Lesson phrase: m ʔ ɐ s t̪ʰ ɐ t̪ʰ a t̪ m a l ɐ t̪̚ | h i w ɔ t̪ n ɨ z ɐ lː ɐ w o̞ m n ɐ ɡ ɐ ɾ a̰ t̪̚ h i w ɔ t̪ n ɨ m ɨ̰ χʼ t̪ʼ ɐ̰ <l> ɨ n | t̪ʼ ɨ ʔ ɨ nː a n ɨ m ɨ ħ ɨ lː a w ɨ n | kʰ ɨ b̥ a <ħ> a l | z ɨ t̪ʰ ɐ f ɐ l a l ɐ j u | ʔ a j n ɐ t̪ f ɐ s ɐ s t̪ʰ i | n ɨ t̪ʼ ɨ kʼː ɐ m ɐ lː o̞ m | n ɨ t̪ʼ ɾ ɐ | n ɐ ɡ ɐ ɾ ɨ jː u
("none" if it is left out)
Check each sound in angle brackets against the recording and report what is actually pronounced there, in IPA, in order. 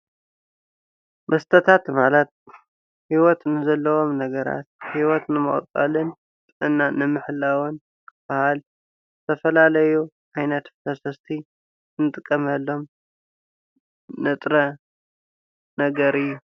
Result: l, h

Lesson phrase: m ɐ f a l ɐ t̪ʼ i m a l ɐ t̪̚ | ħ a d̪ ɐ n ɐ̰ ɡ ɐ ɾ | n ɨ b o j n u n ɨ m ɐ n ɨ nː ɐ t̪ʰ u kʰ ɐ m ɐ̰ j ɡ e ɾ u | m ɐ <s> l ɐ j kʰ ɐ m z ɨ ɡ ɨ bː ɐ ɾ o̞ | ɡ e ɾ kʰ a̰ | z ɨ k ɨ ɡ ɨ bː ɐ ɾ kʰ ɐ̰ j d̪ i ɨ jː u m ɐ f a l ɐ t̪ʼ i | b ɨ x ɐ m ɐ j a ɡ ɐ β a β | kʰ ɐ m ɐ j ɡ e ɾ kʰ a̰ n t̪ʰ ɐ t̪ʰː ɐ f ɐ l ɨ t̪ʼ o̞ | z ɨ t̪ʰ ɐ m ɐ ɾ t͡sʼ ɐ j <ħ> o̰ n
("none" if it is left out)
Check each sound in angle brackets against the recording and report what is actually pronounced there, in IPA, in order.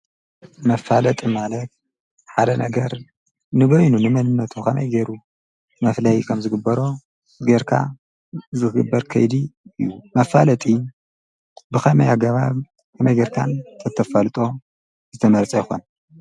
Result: f, x

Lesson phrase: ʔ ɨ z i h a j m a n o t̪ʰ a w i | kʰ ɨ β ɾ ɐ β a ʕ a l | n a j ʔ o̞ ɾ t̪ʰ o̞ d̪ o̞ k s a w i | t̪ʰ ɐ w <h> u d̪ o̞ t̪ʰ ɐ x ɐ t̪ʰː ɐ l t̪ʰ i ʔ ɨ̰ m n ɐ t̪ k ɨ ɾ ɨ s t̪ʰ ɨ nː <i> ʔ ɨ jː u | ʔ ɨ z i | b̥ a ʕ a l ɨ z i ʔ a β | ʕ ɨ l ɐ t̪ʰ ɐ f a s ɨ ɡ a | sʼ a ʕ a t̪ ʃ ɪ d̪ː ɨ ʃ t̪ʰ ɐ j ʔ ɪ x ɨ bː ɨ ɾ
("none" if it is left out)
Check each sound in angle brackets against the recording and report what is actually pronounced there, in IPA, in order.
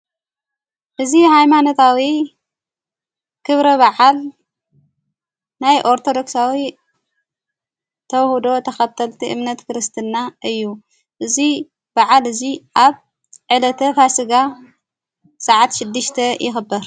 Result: h, a

